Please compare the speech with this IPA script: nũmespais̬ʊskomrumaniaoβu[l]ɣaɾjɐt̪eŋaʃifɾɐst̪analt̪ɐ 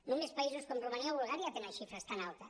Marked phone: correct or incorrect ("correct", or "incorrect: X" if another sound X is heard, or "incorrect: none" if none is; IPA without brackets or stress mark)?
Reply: correct